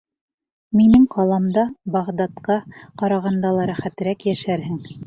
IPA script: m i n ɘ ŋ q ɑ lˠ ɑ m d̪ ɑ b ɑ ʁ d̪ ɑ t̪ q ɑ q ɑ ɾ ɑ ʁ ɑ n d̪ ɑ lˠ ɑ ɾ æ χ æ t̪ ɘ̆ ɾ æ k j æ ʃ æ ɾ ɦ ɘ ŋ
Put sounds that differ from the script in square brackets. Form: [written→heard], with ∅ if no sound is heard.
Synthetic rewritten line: m i n ɘ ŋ q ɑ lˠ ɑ m d̪ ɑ b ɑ ʁ d̪ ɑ t̪ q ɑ q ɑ ɾ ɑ ʁ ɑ n d̪ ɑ lˠ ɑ ɾ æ χ æ t̪ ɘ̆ ɾ æ k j æ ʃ æ ɾ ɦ ɘ ŋ

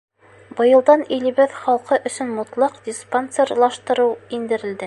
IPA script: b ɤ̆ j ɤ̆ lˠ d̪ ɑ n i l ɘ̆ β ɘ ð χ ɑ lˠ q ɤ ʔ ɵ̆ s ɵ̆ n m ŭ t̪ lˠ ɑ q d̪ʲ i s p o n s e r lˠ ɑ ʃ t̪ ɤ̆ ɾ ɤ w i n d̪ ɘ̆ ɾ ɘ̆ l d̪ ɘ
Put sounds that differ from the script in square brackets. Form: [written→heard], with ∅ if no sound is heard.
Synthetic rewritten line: b ɤ̆ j ɤ̆ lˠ d̪ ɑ n i l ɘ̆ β ɘ ð χ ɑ lˠ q ɤ ʔ ɵ̆ s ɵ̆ n m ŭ t̪ lˠ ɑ q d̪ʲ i s p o n s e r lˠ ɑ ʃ t̪ ɤ̆ ɾ ɤ w i n d̪ ɘ̆ ɾ ɘ̆ l d̪ ɘ

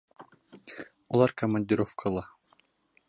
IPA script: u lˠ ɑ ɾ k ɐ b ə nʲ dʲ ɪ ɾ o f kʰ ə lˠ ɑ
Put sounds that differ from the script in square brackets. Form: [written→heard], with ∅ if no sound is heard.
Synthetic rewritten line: u lˠ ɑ ɾ k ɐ [b→m] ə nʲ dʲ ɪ ɾ o f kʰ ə lˠ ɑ

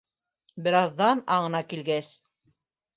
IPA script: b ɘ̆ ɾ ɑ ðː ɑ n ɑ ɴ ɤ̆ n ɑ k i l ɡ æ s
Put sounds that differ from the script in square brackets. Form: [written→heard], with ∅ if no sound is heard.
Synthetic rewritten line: b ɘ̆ ɾ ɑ ðː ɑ n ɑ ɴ ɤ̆ n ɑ k i l ɡ æ s

